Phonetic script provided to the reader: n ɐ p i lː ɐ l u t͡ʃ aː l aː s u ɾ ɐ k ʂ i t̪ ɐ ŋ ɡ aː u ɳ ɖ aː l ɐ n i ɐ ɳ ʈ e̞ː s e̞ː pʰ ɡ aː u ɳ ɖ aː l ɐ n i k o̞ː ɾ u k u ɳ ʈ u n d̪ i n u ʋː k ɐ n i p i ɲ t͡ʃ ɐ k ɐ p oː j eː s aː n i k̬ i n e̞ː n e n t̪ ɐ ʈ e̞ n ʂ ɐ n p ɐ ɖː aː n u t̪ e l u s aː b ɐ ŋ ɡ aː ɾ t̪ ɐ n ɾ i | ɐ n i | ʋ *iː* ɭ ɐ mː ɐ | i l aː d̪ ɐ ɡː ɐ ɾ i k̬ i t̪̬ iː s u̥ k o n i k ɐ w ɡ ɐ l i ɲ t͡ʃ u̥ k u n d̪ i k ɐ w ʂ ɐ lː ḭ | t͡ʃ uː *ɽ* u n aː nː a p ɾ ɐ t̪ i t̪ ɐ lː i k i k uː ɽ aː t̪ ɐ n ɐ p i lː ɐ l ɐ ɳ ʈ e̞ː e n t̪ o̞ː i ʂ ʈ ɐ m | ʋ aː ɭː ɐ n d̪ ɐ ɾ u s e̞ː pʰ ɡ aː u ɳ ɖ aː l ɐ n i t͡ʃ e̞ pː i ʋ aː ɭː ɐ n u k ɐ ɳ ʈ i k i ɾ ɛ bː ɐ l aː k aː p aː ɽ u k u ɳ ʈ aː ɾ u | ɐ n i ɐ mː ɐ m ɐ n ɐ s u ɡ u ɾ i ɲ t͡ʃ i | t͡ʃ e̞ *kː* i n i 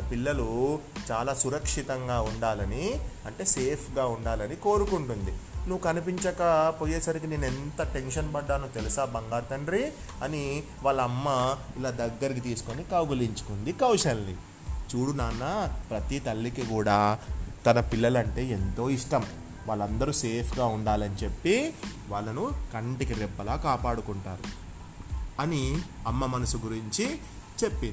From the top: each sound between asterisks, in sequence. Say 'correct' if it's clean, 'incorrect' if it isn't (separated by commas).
incorrect, correct, incorrect